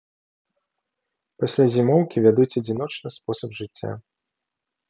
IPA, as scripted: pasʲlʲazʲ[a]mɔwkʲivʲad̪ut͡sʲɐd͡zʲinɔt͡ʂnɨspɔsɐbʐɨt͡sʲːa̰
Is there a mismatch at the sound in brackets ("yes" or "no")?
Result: yes